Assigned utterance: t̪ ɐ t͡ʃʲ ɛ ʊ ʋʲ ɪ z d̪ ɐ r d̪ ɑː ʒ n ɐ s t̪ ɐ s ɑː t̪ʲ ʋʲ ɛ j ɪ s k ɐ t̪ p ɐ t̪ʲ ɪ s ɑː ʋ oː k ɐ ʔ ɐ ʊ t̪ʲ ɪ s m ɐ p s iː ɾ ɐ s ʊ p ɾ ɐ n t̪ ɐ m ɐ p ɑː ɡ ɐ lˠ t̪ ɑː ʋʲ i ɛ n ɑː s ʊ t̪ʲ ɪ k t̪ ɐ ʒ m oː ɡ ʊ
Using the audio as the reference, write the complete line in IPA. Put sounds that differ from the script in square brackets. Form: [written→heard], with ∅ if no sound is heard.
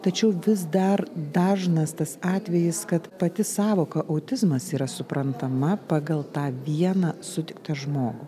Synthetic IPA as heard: t̪ ɐ t͡ʃʲ ɛ ʊ ʋʲ ɪ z d̪ ɐ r d̪ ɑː ʒ n ɐ s t̪ ɐ s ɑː t̪ʲ ʋʲ ɛ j ɪ s k ɐ t̪ p ɐ t̪ʲ ɪ s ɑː ʋ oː k ɐ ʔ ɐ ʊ t̪ʲ ɪ [s→z] m ɐ [p→∅] s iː ɾ ɐ s ʊ p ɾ ɐ n t̪ ɐ m ɐ p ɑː ɡ ɐ lˠ t̪ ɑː ʋʲ i ɛ n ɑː s ʊ t̪ʲ ɪ k t̪ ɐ ʒ m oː ɡ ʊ